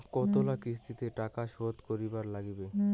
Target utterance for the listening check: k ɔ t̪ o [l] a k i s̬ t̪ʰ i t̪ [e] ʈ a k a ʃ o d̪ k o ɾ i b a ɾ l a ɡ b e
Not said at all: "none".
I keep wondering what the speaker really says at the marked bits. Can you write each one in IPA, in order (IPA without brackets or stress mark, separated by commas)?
l, e